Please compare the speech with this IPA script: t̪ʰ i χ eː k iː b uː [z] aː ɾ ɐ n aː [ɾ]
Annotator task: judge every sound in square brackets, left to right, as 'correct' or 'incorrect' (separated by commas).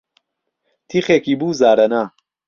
correct, incorrect